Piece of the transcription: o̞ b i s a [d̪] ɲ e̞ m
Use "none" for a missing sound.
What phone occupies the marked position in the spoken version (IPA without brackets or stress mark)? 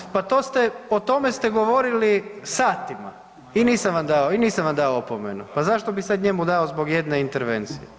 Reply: d̪